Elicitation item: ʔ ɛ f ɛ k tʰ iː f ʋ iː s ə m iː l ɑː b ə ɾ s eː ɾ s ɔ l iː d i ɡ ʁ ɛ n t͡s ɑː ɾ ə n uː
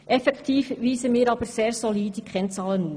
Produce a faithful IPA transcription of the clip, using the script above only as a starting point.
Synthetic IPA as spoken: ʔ ɛ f ɛ k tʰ iː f ʋ iː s ə m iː ɾ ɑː b ə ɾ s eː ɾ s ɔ l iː d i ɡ ʁ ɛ n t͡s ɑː l ə n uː